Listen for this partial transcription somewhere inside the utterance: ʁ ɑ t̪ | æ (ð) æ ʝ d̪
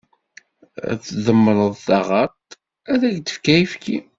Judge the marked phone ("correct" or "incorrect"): correct